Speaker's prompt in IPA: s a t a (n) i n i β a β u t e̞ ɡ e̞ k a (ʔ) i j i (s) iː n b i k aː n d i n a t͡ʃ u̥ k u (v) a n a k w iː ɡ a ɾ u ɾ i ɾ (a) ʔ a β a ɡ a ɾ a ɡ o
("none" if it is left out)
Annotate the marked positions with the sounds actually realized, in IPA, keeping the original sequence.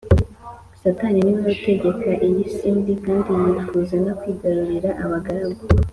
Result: n, ʔ, s, z, a

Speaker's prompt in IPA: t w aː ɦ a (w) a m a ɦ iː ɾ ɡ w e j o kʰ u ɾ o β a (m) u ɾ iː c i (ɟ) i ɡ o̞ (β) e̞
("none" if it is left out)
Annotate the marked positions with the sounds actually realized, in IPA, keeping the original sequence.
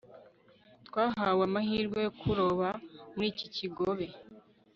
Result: w, m, c, β

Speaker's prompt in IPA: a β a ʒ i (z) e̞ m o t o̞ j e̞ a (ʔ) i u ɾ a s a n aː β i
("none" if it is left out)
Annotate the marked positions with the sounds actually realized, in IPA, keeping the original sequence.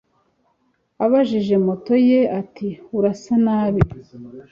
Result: ʒ, t

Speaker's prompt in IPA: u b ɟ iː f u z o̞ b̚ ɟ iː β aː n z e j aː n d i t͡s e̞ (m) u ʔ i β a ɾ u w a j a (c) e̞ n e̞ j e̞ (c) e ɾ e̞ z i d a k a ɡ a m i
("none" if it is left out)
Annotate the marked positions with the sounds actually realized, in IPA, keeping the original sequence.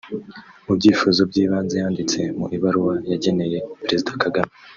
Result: m, ɟ, p

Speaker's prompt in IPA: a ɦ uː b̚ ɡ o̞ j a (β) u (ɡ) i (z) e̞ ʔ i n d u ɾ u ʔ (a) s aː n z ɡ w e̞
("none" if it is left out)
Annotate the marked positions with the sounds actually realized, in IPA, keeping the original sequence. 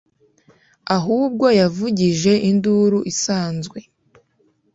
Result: v, ɟ, ʒ, i

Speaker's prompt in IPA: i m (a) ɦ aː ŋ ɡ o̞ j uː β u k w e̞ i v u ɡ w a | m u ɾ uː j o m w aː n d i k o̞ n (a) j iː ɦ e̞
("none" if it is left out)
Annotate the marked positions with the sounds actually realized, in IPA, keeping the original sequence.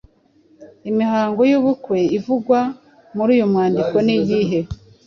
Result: i, i

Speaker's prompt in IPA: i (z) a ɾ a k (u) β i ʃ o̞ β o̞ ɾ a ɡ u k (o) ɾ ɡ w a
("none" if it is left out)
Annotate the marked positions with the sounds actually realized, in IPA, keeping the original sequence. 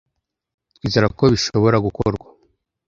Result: z, o, o

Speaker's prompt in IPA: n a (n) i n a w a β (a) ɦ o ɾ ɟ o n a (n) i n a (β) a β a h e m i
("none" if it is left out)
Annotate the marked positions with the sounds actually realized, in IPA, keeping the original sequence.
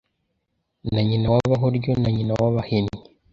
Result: ɲ, a, ɲ, w

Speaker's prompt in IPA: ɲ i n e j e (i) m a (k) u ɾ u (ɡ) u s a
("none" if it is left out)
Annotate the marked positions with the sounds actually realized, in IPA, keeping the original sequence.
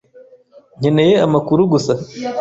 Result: a, k, ɡ

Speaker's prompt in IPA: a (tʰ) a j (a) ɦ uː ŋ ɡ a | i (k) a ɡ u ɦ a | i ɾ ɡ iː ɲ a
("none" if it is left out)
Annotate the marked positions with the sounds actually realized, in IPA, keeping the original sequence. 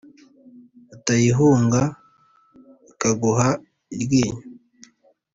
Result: t, i, k

